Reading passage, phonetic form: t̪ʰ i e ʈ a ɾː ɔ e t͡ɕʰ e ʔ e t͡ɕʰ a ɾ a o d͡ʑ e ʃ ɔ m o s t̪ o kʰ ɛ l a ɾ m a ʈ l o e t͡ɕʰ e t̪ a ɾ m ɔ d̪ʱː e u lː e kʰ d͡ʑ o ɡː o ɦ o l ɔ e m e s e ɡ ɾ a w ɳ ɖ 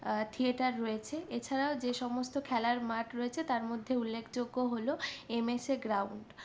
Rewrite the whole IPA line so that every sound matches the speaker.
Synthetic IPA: t̪ʰ i e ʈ a ɾː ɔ e t͡ɕʰ e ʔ e t͡ɕʰ a ɾ a o d͡ʑ e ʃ ɔ m o s t̪ o kʰ ɛ l a ɾ m a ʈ ɾ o e t͡ɕʰ e t̪ a ɾ m o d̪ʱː e u lː e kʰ d͡ʑ o ɡː o ɦ o l o e m e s e ɡ ɾ a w ɳ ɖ